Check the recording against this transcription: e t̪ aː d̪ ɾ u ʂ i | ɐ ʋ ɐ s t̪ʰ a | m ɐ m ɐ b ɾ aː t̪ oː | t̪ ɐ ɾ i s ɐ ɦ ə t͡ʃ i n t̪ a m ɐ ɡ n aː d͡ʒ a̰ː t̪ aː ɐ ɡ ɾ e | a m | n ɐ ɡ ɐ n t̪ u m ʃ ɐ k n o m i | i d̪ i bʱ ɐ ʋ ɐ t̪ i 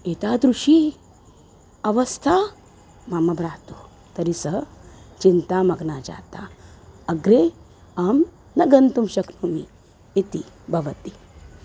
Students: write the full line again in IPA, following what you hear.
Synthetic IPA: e t̪ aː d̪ ɾ u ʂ i | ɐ ʋ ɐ s t̪ʰ a | m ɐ m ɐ b ɾ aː t̪ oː | t̪ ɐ ɾ i s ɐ ɦ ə t͡ʃ i n t̪ a m ɐ ɡ n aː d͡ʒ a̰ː t̪ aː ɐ ɡ ɾ e | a m | n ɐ ɡ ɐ n t̪ u m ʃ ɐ k n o m i | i t̪ i bʱ ɐ ʋ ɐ t̪ i